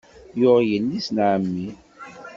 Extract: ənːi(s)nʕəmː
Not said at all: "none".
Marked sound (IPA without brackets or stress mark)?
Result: s